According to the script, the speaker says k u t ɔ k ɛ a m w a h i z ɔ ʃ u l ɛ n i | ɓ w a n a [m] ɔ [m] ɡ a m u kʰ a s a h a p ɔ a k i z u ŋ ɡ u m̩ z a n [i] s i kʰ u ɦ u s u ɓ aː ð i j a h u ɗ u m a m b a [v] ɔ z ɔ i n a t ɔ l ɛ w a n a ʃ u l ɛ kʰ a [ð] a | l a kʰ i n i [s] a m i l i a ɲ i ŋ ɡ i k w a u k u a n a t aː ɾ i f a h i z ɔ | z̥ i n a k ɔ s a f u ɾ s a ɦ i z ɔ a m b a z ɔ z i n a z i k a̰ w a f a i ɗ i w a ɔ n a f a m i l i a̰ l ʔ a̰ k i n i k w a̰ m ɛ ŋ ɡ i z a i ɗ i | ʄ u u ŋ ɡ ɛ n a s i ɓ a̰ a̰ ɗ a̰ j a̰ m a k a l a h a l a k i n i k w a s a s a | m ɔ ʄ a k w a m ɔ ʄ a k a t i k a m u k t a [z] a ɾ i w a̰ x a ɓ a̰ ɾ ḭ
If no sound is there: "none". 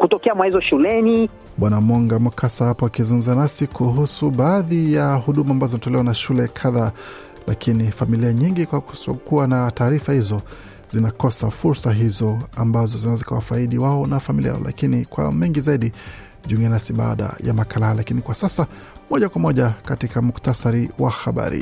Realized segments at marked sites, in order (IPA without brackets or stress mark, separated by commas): m, ŋ, a, z, ð, f, s